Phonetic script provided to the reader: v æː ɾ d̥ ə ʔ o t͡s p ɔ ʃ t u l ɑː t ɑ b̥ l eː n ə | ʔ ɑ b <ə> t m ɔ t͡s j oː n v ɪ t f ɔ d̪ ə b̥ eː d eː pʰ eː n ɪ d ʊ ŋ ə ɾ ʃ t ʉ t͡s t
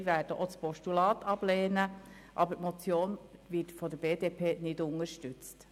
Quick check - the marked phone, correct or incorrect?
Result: correct